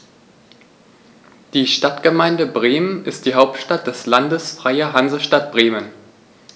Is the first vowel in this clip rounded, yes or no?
no